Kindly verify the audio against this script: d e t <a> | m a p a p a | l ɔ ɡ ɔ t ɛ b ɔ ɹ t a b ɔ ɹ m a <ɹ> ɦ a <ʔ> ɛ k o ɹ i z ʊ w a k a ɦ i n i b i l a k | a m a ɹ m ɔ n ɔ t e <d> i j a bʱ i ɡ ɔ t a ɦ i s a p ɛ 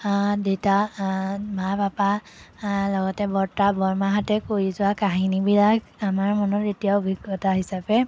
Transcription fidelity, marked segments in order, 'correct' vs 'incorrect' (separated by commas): correct, incorrect, incorrect, incorrect